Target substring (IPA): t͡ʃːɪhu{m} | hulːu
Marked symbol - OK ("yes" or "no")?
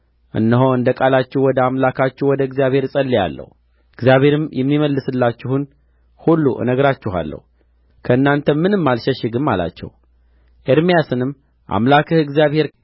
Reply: no